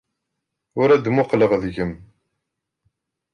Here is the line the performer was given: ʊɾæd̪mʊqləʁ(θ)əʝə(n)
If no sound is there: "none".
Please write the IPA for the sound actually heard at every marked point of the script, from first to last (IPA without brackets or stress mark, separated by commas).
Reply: ð, m